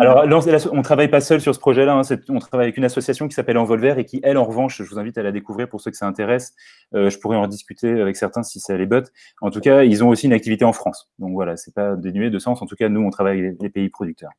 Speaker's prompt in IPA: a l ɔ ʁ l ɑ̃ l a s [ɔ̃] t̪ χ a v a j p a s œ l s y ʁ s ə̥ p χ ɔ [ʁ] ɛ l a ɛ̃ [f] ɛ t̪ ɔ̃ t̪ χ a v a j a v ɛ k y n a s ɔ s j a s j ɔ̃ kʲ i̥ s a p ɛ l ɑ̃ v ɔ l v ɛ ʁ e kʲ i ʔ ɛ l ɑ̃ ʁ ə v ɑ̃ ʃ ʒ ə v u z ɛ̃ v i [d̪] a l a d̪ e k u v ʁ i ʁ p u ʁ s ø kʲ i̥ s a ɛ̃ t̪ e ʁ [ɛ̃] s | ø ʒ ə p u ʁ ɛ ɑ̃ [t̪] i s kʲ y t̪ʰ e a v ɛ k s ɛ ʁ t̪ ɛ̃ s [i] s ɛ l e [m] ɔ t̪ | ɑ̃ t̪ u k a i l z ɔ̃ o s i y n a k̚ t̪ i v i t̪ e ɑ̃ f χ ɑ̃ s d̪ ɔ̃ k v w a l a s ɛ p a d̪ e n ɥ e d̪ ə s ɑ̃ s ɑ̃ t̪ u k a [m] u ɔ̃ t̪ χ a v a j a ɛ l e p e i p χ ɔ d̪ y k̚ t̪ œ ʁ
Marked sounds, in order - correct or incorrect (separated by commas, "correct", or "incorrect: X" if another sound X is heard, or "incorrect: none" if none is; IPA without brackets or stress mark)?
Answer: correct, incorrect: ʒ, incorrect: s, incorrect: t̪, incorrect: ɛ, incorrect: d̪, correct, incorrect: b, incorrect: n